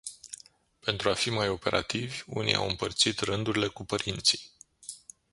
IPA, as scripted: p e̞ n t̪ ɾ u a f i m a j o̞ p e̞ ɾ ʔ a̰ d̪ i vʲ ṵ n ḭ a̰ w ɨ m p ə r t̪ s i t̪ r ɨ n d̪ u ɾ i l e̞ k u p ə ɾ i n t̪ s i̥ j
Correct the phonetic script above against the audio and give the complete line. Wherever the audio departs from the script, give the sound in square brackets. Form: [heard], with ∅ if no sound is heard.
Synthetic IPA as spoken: p e̞ n t̪ ɾ u a f i m a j o̞ p e̞ ɾ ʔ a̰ [t̪] i vʲ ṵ n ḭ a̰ w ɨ m p ə r t̪ s i t̪ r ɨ n d̪ u ɾ i l e̞ k u p ə ɾ i n t̪ s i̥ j